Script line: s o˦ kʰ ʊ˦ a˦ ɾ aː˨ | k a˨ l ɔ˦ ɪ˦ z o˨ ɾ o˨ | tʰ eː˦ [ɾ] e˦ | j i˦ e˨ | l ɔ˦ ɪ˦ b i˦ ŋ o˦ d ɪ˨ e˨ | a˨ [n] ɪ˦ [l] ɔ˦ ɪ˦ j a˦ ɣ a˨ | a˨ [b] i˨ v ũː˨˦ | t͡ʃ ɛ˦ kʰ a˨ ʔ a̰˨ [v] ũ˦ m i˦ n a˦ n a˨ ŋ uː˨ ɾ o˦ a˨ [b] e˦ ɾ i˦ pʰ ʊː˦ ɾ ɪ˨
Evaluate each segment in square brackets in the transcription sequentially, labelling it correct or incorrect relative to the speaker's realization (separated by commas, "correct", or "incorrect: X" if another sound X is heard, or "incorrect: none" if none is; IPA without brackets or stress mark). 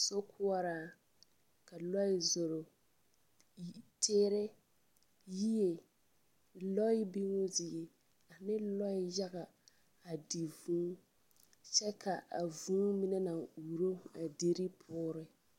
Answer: correct, correct, correct, incorrect: d, correct, incorrect: d